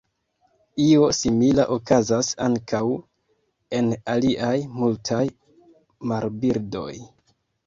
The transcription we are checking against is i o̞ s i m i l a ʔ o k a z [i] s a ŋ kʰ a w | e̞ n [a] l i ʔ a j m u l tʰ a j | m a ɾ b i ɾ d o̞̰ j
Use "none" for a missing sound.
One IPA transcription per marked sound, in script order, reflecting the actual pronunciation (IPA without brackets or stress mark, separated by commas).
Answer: a, a